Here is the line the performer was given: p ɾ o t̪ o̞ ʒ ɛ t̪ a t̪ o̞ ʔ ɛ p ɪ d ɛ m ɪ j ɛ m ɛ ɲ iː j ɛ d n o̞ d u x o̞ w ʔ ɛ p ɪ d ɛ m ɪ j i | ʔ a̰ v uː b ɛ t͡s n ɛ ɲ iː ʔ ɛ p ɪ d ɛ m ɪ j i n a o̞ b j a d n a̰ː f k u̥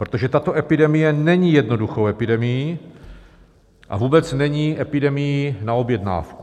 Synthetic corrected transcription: p ɾ o t̪ o̞ ʒ ɛ t̪ a t̪ o̞ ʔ ɛ p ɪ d ɛ m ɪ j ɛ n ɛ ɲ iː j ɛ d n o̞ d u x o̞ w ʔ ɛ p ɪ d ɛ m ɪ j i | ʔ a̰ v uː b ɛ t͡s n ɛ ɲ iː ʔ ɛ p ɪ d ɛ m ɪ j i n a o̞ b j ɛ d n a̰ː f k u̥

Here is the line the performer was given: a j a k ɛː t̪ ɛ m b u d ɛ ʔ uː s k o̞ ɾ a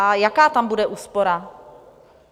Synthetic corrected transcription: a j a k aː t̪ a m b u d ɛ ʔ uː s p o̞ ɾ a

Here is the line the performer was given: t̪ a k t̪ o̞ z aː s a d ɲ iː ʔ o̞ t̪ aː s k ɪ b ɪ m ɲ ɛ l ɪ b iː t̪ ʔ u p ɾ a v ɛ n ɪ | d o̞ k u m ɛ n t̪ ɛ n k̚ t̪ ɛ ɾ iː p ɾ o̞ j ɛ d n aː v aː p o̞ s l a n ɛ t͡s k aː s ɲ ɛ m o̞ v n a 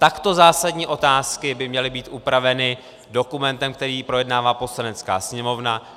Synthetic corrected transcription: t̪ a k t̪ o̞ z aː s a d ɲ iː ʔ o̞ t̪ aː s k ɪ b ɪ m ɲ ɛ l ɪ b iː t̪ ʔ u p ɾ a v ɛ n ɪ | d o̞ k u m ɛ n t̪ ɛ m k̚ t̪ ɛ ɾ iː p ɾ o̞ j ɛ d n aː v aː p o̞ s l a n ɛ t͡s k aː s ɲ ɛ m o̞ v n a

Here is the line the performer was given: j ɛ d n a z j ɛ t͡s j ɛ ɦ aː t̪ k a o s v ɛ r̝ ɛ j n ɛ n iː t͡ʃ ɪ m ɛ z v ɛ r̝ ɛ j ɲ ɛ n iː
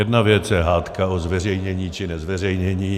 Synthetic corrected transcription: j ɛ d n a v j ɛ t͡s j ɛ ɦ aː t̪ k a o z v ɛ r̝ ɛ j ɲ ɛ ɲ iː t͡ʃ ɪ n ɛ z v ɛ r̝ ɛ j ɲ ɛ ɲ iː

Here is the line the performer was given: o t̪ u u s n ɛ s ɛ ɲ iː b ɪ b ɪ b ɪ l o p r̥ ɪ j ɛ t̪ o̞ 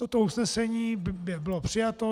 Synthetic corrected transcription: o t̪ o u s n ɛ s ɛ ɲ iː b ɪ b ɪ b ɪ l o p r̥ ɪ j a t̪ o̞

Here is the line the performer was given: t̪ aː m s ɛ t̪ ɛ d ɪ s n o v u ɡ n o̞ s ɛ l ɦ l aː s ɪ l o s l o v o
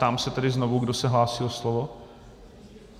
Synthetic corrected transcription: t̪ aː m s ɛ t̪ ɛ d ɪ z n o v u ɡ d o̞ s ɛ ɦ l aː s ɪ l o s l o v o

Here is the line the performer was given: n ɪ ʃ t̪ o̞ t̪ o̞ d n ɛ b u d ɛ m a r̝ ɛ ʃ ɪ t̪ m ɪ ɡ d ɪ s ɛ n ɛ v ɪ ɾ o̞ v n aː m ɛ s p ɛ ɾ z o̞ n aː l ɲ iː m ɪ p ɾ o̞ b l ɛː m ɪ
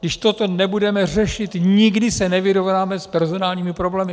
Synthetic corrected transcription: d ɪ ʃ t̪ o̞ t̪ o̞ n ɛ b u d ɛ m ɛ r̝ ɛ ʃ ɪ t̪ ɲ ɪ ɡ d ɪ s ɛ n ɛ v ɪ ɾ o̞ v n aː m ɛ s p ɛ ɾ z o̞ n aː l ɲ iː m ɪ p ɾ o̞ b l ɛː m ɪ

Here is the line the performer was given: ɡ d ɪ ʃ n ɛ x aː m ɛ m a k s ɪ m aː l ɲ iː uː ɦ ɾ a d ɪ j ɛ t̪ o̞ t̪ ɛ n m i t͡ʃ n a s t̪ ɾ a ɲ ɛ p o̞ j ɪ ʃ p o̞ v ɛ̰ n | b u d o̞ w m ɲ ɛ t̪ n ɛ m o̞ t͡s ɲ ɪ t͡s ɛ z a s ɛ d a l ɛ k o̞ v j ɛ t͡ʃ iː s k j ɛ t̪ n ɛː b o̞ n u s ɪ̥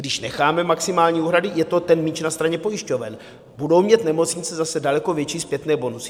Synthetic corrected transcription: ɡ d ɪ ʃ n ɛ x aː m ɛ m a k s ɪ m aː l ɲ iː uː ɦ ɾ a d ɪ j ɛ t̪ o̞ t̪ ɛ n m i t͡ʃ n a s t̪ ɾ a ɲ ɛ p o̞ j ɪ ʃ c o̞ v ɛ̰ n | b u d o̞ w m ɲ ɛ t̪ n ɛ m o̞ t͡s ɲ ɪ t͡s ɛ z a s ɛ d a l ɛ k o̞ v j ɛ t͡ʃ iː s p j ɛ t̪ n ɛː b o̞ n u s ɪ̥

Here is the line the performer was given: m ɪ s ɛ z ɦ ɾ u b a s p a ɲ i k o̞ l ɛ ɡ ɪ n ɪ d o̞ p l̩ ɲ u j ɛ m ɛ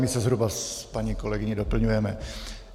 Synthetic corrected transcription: m ɪ s ɛ z ɦ ɾ u b a s p a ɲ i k o̞ l ɛ ɡ ɪ ɲ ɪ d o̞ p l̩ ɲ u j ɛ m ɛ

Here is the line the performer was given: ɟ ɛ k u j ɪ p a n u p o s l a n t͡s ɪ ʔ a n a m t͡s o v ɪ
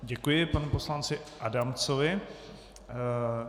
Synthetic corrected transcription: ɟ ɛ k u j ɪ p a n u p o s l a n t͡s ɪ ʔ a d a m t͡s o v ɪ

